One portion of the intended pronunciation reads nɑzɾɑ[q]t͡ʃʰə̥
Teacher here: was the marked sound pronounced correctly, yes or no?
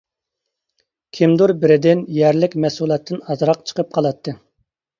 yes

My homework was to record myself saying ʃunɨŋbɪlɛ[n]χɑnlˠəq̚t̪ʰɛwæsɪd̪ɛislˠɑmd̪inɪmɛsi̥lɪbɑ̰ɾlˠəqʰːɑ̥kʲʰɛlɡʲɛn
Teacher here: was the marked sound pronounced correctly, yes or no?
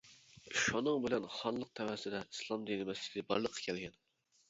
yes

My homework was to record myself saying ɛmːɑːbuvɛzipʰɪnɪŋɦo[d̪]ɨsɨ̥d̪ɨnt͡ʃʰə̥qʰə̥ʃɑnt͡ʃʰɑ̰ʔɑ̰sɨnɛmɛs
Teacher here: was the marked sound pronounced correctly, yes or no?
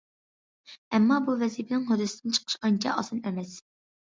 yes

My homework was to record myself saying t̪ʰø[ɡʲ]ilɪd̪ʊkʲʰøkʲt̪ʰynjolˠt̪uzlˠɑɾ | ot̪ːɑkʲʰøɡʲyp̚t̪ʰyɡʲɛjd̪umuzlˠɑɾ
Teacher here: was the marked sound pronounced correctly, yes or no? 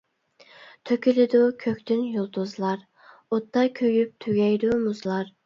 no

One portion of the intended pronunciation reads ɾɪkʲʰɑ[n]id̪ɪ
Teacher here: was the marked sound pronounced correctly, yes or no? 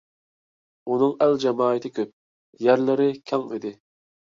no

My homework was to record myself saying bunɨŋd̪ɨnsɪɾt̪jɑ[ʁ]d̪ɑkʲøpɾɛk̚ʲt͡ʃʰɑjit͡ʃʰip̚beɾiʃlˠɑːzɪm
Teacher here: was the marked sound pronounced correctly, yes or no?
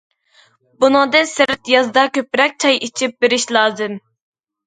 no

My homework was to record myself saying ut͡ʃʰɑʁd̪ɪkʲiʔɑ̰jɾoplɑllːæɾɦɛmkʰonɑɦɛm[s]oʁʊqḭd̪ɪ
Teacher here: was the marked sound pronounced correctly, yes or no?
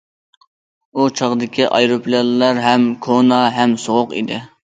yes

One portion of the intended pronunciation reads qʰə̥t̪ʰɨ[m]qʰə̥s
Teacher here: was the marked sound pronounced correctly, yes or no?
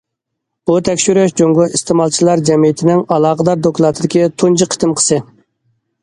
yes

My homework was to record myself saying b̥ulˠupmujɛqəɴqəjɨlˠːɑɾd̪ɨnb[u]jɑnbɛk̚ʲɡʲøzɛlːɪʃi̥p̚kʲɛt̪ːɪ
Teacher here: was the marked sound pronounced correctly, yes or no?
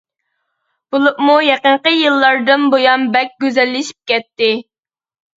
no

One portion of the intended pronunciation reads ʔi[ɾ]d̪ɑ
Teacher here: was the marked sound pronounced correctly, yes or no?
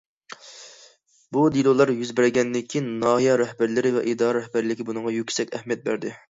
no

